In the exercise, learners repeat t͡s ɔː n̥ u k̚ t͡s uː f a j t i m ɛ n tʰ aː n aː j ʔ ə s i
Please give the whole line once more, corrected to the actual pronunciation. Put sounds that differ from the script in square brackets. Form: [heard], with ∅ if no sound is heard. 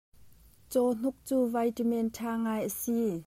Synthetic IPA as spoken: t͡s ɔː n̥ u k̚ t͡s uː [v] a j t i m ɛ n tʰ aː [ŋ] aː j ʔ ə s i